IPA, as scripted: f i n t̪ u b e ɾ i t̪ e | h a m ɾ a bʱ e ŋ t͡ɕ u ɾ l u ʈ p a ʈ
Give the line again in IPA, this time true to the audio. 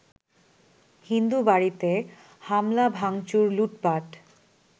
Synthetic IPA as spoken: h i n d̪ u b a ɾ i t̪ e | h a m l a bʱ a ŋ t͡ɕ u ɾ l u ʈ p a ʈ

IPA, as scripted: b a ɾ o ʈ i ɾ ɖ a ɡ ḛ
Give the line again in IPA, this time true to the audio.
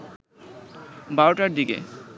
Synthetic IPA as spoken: b a ɾ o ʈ a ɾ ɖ i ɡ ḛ

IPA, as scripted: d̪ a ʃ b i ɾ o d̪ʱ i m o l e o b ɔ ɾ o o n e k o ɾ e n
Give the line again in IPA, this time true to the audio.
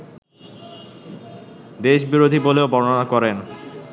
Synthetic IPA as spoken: d̪ e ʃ b i ɾ o d̪ʱ i b o l e o b ɔ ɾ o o n a k ɔ ɾ e n

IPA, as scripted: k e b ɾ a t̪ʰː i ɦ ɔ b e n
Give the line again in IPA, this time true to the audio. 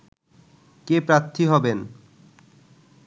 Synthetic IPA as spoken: k e p ɾ a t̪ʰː i ɦ ɔ b e n

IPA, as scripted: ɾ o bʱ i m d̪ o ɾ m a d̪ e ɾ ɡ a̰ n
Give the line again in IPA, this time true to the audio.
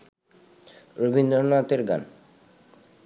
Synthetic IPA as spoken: ɾ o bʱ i n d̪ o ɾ n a t̪ e ɾ ɡ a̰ n

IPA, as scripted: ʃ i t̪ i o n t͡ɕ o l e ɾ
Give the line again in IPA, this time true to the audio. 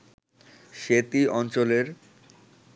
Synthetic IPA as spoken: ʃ e t̪ i ɔ n t͡ɕ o l e ɾ

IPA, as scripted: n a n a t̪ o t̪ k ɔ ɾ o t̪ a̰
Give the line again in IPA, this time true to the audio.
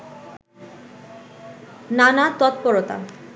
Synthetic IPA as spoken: n a n a t̪ ɔ t̪ p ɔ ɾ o t̪ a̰

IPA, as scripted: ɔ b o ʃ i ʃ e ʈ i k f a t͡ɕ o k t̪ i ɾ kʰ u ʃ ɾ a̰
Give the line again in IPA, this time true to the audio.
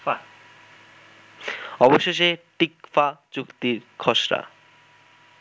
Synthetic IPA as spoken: ɔ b o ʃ e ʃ e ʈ i k f a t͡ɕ u k t̪ i ɾ kʰ ɔ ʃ ɾ a̰

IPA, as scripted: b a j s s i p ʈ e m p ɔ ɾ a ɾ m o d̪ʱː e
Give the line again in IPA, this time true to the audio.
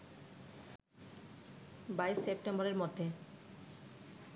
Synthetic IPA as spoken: b a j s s e p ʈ e m b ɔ ɾ e ɾ m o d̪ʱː e

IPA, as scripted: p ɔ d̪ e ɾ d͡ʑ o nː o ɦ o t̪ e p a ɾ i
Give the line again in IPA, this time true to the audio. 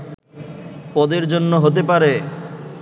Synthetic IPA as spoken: p ɔ d̪ e ɾ d͡ʑ o nː o ɦ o t̪ e p a ɾ e

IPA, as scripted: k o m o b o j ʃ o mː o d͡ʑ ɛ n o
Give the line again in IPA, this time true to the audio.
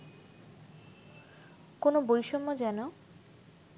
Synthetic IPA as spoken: k o n o b o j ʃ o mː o d͡ʑ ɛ n o

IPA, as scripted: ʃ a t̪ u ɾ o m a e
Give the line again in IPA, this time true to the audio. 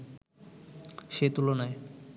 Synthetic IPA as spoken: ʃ e t̪ u l o n a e

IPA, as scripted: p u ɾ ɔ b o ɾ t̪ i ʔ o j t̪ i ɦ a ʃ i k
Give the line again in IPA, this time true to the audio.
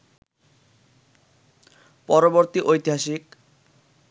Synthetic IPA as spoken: p ɔ ɾ o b o ɾ t̪ i ʔ o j t̪ i ɦ a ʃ i k

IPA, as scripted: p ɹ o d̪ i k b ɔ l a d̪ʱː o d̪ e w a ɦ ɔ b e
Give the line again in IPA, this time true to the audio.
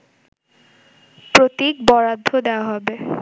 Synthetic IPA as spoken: p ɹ o t̪ i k b ɔ ɹ a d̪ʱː o d̪ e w a ɦ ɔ b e

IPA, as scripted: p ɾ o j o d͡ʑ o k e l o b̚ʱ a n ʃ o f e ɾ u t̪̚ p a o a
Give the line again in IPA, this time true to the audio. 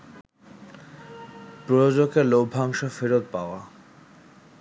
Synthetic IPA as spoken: p ɾ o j o d͡ʑ o k e l o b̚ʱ a ŋ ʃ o f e ɾ o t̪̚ p a o a

